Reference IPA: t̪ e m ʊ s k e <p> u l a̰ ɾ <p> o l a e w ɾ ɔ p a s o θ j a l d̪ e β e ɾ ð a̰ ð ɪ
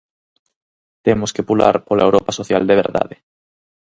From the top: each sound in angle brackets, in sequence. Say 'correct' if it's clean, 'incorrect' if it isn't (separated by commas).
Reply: correct, correct